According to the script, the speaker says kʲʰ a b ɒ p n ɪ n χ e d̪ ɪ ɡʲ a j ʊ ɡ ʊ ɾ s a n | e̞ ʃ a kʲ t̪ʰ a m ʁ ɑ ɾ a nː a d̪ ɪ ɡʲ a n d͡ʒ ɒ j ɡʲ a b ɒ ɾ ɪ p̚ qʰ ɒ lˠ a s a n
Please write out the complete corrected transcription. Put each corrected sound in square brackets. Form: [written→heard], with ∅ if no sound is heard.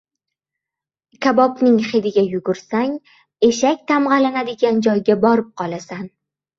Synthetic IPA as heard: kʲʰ a b ɒ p n ɪ [n→ŋ] χ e d̪ ɪ ɡʲ a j ʊ ɡ ʊ ɾ s a [n→ŋ] | e̞ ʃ a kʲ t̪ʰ a m ʁ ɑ [ɾ→l] a [nː→n] a d̪ ɪ ɡʲ a n d͡ʒ ɒ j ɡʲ a b ɒ ɾ ɪ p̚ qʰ ɒ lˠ a s a n

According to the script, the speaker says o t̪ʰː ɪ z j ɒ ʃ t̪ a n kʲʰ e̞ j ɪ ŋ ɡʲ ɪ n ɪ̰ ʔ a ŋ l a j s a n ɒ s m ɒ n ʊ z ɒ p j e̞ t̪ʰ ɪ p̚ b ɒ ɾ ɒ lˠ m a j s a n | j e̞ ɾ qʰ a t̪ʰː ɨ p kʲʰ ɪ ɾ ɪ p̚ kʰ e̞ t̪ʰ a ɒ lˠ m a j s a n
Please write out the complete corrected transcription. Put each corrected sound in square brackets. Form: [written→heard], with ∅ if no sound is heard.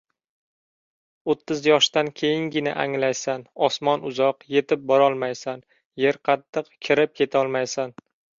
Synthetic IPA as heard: o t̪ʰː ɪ z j ɒ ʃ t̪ a n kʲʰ e̞ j ɪ ŋ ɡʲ ɪ n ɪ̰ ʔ a ŋ l a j s a n ɒ s m ɒ n ʊ z ɒ [p→q] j e̞ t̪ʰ ɪ p̚ b ɒ ɾ ɒ lˠ m a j s a n | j e̞ ɾ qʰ [a→ɑ] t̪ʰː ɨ [p→q] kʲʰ ɪ ɾ ɪ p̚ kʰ e̞ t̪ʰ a ɒ lˠ m a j s a n

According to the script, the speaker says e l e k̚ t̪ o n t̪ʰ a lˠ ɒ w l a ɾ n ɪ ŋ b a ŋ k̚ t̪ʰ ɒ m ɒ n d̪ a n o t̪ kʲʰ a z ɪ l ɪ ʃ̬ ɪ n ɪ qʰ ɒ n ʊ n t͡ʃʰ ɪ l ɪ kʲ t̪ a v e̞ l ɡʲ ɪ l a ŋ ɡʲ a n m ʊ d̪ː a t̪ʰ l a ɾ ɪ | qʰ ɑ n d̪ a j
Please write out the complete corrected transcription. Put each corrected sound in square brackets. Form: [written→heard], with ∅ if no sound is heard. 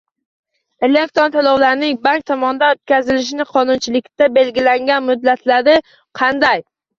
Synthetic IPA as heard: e l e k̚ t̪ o n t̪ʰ a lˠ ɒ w l a ɾ n ɪ ŋ b a ŋ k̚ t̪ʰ ɒ m ɒ n d̪ a n o t̪ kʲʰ a z ɪ l ɪ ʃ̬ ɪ n ɪ qʰ ɒ n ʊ n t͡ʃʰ ɪ l ɪ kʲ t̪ a [v→b] e̞ l ɡʲ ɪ l a ŋ ɡʲ a n m ʊ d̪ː a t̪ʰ l a ɾ ɪ | qʰ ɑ n d̪ a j

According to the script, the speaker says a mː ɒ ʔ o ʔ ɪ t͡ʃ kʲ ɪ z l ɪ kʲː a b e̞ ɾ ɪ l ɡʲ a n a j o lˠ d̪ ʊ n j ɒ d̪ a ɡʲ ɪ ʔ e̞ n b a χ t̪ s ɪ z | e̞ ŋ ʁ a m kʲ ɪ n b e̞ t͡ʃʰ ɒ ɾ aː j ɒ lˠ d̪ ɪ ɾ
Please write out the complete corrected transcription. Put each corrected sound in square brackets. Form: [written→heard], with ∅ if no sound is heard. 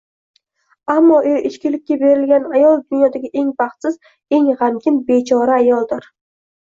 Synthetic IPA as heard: a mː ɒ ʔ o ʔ ɪ t͡ʃ kʲ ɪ [z→∅] l ɪ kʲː a b e̞ ɾ ɪ l ɡʲ a n a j [o→ɒ] lˠ d̪ ʊ n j ɒ d̪ a ɡʲ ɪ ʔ e̞ [n→ŋ] b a χ t̪ s ɪ z | e̞ ŋ ʁ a m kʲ ɪ n b e̞ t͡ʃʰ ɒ ɾ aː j ɒ lˠ d̪ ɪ ɾ

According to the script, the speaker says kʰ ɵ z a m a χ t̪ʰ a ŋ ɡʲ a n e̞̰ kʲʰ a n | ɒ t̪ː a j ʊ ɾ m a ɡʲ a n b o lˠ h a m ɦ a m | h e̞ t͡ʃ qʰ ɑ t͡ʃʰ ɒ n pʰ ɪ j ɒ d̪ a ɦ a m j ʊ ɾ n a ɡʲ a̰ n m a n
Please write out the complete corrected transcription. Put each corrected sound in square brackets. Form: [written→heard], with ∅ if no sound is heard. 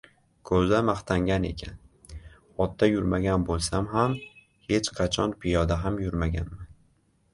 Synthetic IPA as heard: kʰ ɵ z a m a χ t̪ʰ a ŋ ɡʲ a n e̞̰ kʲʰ a n | ɒ t̪ː a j ʊ ɾ m a ɡʲ a n b o lˠ [h→s] a m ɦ a m | h e̞ t͡ʃ qʰ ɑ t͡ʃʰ ɒ n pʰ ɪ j ɒ d̪ a ɦ a m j ʊ ɾ [n→m] a ɡʲ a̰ n m a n

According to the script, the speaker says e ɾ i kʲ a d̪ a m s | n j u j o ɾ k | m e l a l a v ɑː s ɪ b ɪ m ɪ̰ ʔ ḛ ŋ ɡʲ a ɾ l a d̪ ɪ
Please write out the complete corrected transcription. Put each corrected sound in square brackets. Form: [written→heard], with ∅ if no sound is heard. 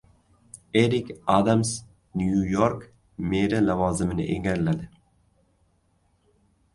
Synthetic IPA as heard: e ɾ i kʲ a d̪ a m s | n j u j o ɾ k | m e [l→ɾ] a l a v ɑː [s→z] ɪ [b→m] ɪ [m→n] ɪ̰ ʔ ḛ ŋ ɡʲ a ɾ l a d̪ ɪ

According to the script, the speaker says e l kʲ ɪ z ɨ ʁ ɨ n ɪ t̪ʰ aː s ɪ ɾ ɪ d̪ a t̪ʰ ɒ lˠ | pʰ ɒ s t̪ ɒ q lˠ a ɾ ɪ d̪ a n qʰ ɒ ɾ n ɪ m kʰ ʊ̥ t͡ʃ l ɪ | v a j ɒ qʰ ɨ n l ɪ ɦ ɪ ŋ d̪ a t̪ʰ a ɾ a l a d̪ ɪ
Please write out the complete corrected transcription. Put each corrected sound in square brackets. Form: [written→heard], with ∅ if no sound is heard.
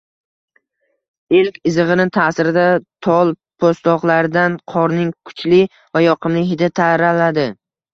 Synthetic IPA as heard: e l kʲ ɪ z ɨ ʁ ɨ n ɪ t̪ʰ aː s ɪ ɾ ɪ d̪ a t̪ʰ ɒ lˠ | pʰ [ɒ→o] s t̪ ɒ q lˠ a ɾ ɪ d̪ a n qʰ ɒ ɾ n ɪ [m→ŋ] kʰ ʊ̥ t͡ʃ l ɪ | v a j ɒ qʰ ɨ [n→m] l ɪ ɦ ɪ [ŋ→∅] d̪ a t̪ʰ a ɾ a l a d̪ ɪ

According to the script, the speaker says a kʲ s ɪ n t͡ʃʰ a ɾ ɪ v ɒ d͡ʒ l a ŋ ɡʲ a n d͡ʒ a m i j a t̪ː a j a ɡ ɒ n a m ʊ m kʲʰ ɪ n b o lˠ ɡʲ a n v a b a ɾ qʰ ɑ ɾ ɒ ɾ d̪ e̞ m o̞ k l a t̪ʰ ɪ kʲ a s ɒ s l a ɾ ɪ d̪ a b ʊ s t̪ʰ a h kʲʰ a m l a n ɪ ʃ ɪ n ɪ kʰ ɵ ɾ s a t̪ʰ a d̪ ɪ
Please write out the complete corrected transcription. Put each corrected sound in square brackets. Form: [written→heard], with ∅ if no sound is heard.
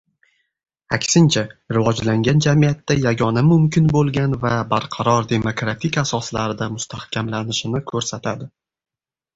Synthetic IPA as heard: a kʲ s ɪ n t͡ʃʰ a ɾ ɪ v ɒ d͡ʒ l a ŋ ɡʲ a n d͡ʒ a m i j a t̪ː a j a ɡ ɒ n a m ʊ m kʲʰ ɪ n b o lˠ ɡʲ a n v a b a ɾ qʰ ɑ ɾ ɒ ɾ d̪ e̞ m o̞ k [l→ɾ] a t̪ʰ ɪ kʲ a s ɒ s l a ɾ ɪ d̪ a [b→m] ʊ s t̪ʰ a h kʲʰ a m l a n ɪ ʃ ɪ n ɪ kʰ ɵ ɾ s a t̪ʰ a d̪ ɪ

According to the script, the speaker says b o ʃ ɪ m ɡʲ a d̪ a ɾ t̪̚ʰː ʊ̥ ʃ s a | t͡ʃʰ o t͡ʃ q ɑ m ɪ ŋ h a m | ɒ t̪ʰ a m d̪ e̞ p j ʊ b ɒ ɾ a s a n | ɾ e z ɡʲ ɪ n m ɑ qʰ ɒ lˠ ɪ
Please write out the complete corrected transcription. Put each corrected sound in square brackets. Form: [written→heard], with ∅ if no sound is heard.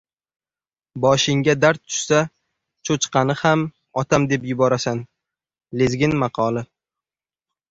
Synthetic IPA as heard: b [o→ɒ] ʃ ɪ [m→ŋ] ɡʲ a d̪ a ɾ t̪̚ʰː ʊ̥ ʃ s a | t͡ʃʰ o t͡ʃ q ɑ [m→n] ɪ [ŋ→∅] h a m | ɒ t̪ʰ a m d̪ e̞ p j ʊ b ɒ ɾ a s a n | [ɾ→l] e z ɡʲ ɪ n m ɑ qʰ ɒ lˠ ɪ

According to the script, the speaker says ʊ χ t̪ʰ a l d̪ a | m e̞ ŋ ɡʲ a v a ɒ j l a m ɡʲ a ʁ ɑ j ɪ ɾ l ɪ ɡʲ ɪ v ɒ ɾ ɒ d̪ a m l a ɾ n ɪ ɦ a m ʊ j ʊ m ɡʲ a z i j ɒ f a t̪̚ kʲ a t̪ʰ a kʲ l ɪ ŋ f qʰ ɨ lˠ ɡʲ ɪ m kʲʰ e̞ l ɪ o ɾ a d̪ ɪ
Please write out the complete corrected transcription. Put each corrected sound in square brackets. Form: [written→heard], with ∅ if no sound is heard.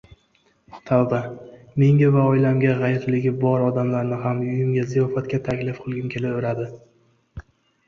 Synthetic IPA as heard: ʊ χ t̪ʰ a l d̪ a | m e̞ ŋ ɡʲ a v a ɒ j l a m ɡʲ a ʁ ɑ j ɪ ɾ l ɪ ɡʲ ɪ [v→b] ɒ ɾ ɒ d̪ a m l a ɾ n ɪ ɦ a m ʊ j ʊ m ɡʲ a z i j ɒ f a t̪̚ kʲ a t̪ʰ a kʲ l ɪ [ŋ→∅] f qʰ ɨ lˠ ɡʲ ɪ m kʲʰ e̞ l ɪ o ɾ a d̪ ɪ

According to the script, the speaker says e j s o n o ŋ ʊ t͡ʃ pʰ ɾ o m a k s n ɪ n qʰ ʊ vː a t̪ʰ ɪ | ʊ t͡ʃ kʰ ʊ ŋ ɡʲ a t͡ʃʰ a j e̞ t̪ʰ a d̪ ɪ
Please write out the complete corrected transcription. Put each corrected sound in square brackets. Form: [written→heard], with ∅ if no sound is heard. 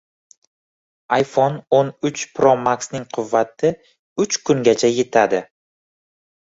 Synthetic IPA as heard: [e→a] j [s→f] o n o [ŋ→n] ʊ t͡ʃ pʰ ɾ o m a k s n ɪ [n→ŋ] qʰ ʊ vː a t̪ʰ ɪ | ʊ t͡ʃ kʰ ʊ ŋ ɡʲ a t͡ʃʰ a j e̞ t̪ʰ a d̪ ɪ

